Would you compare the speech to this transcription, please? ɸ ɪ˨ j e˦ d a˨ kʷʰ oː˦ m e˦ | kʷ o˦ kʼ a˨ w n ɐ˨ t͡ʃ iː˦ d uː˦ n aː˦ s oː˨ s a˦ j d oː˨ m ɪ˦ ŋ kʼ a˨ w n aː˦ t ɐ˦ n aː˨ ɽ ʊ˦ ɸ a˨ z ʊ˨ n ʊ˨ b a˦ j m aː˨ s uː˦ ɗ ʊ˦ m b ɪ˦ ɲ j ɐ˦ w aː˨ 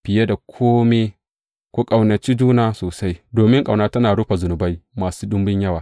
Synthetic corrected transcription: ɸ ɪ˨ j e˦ d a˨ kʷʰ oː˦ m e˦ | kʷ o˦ kʼ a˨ w n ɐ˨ t͡ʃ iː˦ d͡ʒ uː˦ n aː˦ s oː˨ s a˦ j d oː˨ m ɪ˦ ŋ kʼ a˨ w n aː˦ t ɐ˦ n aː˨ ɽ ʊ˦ ɸ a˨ z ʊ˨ n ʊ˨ b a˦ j m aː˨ s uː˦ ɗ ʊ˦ m b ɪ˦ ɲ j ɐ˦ w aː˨